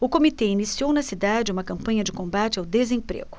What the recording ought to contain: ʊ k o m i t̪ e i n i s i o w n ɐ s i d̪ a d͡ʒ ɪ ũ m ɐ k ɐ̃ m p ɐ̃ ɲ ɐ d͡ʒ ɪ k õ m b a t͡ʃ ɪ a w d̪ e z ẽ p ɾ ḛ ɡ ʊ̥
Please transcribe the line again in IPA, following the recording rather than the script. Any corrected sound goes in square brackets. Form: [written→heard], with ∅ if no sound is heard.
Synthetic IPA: ʊ k o m i t̪ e i n i s i o w n ɐ s i d̪ a d͡ʒ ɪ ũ m ɐ k ɐ̃ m p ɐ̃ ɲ ɐ d͡ʒ ɪ k õ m b a t͡ʃ ɪ a w d̪ e z ẽ p ɾ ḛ ɡ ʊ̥